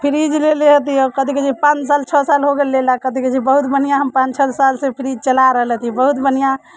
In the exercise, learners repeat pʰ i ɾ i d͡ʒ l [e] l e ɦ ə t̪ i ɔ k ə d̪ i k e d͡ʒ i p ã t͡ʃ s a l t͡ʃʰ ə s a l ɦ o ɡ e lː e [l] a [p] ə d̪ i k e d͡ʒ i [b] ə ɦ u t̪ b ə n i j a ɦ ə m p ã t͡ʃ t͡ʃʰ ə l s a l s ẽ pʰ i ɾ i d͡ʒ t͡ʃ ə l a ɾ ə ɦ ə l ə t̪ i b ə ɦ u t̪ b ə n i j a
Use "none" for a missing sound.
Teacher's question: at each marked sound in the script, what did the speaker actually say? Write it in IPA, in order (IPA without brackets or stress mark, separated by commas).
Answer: e, l, k, b